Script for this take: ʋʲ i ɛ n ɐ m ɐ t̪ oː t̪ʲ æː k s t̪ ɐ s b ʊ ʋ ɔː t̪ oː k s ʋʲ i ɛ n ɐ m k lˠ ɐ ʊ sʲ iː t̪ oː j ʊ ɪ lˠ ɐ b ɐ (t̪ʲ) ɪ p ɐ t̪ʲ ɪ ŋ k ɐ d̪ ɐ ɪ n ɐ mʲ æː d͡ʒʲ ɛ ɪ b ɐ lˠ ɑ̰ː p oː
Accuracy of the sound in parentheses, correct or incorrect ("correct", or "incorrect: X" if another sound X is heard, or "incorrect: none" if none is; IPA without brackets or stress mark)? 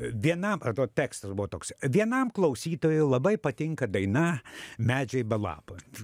incorrect: none